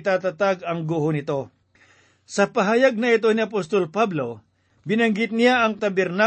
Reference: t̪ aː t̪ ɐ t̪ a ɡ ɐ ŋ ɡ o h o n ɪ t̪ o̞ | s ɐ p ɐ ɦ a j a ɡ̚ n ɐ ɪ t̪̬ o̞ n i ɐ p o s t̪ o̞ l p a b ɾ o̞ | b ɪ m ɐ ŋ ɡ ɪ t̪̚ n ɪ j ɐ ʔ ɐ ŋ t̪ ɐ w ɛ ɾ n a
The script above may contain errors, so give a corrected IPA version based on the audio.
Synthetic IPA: t̪ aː t̪ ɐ t̪ a ɡ ɐ ŋ ɡ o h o n ɪ t̪ o̞ | s ɐ p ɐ ɦ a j a ɡ̚ n ɐ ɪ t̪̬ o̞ n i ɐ p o s t̪ o̞ l p a b l o̞ | b ɪ n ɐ ŋ ɡ ɪ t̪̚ n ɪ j a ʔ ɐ ŋ t̪ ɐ b ɛ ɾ n a